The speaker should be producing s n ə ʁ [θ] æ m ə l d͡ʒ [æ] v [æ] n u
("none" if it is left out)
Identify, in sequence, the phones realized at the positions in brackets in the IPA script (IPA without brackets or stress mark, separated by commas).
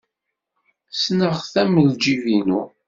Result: θ, i, i